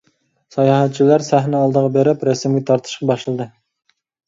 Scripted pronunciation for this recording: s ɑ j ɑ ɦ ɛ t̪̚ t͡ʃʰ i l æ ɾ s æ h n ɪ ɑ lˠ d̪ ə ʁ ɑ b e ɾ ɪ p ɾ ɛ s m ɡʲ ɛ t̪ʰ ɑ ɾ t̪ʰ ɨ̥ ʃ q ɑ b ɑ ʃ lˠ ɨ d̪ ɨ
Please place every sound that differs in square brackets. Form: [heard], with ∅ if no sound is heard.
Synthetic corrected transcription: s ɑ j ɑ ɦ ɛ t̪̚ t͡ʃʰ i l æ ɾ s æ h n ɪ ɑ lˠ d̪ ə ʁ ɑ b e ɾ ɪ p ɾ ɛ s m ɡʲ ɛ t̪ʰ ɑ ɾ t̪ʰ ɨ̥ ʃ q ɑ b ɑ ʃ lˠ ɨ d̪ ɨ